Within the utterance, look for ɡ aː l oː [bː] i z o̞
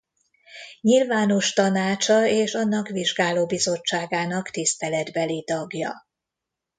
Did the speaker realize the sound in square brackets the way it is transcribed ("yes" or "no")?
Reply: no